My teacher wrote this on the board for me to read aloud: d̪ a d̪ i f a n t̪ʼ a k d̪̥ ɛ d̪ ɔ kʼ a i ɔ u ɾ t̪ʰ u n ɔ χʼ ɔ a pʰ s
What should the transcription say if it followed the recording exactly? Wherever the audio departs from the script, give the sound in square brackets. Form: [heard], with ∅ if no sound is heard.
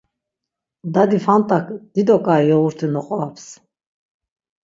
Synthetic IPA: d̪ a d̪ i f a n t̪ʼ a k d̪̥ [i] d̪ ɔ kʼ a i ɔ u ɾ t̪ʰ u n ɔ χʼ ɔ a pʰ s